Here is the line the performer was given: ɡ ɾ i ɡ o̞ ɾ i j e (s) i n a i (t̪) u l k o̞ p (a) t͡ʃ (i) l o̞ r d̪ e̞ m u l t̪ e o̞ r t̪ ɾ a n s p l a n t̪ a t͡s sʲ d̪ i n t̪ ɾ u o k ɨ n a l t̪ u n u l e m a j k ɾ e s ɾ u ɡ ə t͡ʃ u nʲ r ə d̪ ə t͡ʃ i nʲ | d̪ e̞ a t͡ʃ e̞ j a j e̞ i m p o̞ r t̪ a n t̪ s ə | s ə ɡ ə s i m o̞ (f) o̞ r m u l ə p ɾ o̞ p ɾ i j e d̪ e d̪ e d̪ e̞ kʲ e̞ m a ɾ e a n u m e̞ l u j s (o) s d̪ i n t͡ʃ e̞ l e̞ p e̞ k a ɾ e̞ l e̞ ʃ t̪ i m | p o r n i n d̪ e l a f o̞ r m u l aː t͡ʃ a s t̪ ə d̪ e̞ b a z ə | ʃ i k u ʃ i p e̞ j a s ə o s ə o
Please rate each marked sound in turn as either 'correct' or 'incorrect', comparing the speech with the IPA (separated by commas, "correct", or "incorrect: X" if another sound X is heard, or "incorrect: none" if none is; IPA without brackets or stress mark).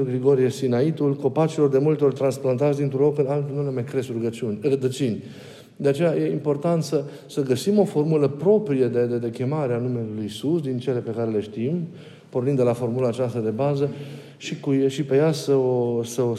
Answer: correct, correct, correct, correct, correct, incorrect: u